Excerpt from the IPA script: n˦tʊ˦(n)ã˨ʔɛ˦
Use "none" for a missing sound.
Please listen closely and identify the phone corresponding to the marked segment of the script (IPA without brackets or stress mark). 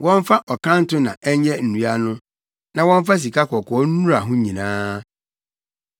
n